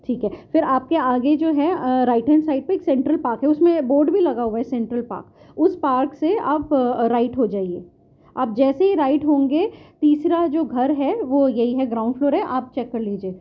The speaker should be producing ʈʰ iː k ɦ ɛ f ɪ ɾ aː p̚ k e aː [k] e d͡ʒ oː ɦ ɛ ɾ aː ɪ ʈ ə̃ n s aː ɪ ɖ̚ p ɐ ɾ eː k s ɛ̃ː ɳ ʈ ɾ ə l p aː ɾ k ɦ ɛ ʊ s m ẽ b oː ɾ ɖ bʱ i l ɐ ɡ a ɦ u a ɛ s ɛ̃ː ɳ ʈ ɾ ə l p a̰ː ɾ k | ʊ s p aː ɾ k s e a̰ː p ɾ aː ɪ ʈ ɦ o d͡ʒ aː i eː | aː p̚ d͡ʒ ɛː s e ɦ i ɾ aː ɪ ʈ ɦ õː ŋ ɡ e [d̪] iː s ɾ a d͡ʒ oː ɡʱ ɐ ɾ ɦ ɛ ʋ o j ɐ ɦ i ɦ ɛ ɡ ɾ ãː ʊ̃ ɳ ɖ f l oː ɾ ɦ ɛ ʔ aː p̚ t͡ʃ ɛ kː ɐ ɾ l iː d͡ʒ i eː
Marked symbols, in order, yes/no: no, no

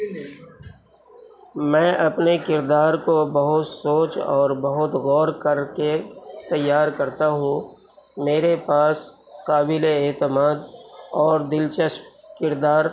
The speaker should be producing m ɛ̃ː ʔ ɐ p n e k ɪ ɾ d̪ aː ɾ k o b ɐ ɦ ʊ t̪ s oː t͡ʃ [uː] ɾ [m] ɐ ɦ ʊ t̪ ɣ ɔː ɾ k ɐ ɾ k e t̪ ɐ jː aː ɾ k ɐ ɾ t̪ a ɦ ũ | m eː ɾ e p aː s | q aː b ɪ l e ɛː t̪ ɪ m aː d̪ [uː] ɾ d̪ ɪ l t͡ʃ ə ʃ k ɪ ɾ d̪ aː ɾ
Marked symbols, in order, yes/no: no, no, no

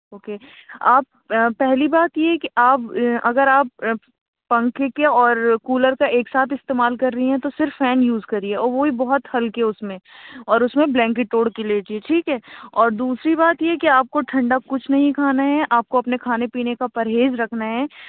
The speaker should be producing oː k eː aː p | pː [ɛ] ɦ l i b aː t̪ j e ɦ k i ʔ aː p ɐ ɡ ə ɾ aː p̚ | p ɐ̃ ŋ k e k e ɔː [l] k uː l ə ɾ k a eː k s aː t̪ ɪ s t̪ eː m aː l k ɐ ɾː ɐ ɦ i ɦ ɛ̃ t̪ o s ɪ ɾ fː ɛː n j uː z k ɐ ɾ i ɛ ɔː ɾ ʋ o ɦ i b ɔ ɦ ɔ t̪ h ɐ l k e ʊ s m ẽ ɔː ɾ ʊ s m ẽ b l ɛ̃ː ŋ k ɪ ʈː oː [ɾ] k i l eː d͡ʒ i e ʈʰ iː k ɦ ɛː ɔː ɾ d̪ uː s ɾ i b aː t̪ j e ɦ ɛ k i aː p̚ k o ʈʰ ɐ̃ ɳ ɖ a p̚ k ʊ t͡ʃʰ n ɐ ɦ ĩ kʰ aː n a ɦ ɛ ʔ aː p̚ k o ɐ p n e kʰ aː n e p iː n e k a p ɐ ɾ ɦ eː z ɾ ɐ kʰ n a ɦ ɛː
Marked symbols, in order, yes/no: yes, no, no

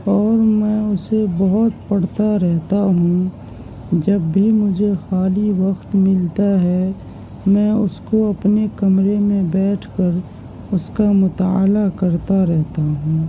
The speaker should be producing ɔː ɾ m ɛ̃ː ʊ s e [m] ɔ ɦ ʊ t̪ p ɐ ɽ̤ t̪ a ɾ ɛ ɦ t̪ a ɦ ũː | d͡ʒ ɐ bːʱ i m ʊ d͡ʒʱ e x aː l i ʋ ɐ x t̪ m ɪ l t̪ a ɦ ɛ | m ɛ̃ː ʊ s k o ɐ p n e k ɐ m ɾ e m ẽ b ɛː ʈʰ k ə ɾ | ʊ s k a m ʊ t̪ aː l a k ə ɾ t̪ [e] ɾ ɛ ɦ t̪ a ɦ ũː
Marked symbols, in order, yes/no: no, no

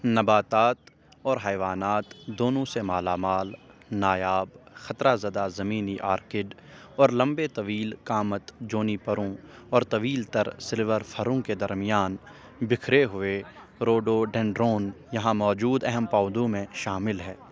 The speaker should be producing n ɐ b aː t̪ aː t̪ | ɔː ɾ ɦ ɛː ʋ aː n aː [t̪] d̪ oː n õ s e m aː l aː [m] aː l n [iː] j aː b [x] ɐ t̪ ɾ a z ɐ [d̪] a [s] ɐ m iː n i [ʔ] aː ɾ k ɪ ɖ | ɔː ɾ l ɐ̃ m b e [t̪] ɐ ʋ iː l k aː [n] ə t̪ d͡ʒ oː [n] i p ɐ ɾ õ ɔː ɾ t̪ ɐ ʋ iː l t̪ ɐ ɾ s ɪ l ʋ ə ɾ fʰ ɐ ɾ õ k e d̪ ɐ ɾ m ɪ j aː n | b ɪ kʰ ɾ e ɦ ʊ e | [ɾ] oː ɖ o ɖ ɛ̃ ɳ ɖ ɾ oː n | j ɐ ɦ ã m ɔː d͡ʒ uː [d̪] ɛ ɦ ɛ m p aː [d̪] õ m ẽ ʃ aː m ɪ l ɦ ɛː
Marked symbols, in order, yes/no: yes, yes, no, yes, yes, no, yes, yes, no, yes, yes, yes, yes

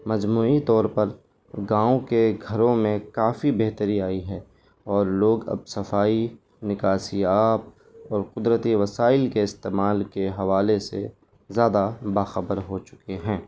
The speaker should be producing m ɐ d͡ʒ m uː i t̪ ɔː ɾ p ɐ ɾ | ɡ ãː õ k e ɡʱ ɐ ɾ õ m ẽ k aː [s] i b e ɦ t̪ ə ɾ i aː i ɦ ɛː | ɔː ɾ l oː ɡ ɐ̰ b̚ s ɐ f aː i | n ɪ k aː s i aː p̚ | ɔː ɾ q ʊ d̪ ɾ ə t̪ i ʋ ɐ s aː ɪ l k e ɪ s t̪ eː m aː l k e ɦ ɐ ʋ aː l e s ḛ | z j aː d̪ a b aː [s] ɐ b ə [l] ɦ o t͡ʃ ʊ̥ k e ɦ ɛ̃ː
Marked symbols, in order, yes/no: no, no, no

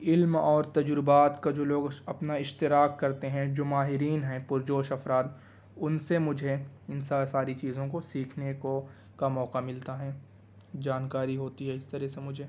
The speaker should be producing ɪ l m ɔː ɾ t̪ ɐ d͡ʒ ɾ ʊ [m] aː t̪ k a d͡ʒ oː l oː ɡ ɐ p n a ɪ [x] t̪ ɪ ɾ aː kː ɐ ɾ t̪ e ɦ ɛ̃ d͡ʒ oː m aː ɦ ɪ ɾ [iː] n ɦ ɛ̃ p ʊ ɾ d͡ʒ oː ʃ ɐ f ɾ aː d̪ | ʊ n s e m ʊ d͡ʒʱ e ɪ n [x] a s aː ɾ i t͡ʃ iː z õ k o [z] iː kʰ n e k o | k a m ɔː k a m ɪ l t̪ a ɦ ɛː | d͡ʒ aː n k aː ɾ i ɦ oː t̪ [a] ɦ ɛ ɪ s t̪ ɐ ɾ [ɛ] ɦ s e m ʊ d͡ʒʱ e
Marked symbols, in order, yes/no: no, no, yes, no, no, no, yes

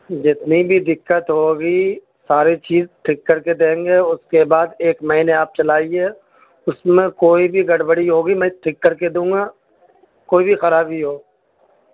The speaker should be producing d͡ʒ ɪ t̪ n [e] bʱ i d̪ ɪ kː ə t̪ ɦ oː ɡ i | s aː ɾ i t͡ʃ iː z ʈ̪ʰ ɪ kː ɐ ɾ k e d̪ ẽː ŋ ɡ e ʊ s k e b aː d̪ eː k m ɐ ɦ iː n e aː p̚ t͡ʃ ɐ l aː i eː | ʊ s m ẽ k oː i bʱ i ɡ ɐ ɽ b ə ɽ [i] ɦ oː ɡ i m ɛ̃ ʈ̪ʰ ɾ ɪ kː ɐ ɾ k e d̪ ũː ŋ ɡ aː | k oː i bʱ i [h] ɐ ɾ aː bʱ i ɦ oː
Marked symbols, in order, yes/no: no, yes, no

